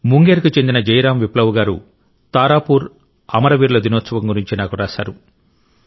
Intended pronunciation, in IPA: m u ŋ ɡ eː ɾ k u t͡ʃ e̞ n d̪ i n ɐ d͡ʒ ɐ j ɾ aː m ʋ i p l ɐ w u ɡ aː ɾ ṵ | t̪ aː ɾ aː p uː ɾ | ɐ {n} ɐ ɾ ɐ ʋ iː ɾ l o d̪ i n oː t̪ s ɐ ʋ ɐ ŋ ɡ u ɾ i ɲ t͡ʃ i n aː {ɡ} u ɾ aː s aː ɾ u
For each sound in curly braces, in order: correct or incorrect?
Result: incorrect, incorrect

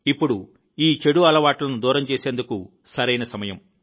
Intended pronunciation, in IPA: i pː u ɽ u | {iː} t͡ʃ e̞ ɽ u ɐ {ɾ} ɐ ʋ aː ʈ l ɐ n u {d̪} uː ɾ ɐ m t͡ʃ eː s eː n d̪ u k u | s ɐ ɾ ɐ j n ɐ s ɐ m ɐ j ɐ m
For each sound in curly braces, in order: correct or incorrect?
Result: correct, incorrect, correct

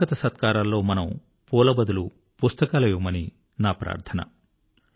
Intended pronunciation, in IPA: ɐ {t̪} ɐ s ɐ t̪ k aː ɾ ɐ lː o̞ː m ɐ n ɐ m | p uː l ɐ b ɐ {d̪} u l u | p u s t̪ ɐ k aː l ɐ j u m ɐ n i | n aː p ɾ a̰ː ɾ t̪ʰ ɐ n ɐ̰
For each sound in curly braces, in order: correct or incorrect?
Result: correct, correct

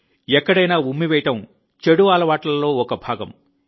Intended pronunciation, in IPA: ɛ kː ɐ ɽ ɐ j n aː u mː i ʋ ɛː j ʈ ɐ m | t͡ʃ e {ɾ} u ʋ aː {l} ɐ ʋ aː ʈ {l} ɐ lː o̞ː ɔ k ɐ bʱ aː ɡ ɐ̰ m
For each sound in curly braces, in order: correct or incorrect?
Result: incorrect, correct, correct

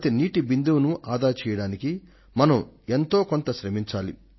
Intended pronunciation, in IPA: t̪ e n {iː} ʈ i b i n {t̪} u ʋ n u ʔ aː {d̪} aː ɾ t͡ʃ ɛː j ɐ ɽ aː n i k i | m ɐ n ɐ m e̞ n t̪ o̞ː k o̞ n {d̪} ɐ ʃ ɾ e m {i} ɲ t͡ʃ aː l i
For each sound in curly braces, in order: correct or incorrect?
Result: correct, incorrect, correct, incorrect, correct

